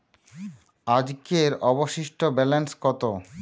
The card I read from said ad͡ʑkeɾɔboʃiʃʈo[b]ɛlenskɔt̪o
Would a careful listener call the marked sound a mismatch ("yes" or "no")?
no